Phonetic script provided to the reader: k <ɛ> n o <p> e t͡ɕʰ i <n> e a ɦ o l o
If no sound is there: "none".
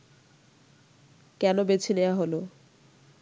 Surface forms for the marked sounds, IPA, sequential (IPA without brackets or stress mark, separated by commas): ɛ, b, n